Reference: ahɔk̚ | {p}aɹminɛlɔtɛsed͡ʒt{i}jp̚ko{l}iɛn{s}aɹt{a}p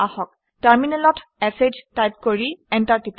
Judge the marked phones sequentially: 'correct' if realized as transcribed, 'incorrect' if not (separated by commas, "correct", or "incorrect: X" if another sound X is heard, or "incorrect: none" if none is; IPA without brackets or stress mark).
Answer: incorrect: t, incorrect: a, incorrect: ɹ, incorrect: t, incorrect: i